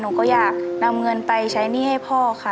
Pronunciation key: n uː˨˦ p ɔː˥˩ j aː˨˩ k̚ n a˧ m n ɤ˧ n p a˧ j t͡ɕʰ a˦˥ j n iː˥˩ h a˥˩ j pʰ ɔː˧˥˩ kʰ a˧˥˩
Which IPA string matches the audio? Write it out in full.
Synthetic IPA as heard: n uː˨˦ k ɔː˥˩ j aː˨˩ k̚ n a˧ m ŋ ɤ˧ n p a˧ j t͡ɕʰ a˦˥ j n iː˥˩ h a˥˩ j pʰ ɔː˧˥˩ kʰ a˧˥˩